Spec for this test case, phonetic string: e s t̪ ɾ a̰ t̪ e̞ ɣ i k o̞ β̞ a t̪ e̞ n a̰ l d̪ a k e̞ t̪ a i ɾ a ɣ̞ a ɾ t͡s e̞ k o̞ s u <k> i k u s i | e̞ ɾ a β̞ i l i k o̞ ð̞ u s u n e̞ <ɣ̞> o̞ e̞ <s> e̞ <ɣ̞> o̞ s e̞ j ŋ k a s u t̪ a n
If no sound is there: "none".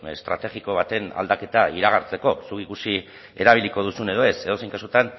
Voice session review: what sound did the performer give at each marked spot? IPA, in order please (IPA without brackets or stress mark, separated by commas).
k, ð̞, s, ð̞